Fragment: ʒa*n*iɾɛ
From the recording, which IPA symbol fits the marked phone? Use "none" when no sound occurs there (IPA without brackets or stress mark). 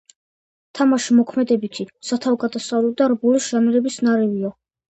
m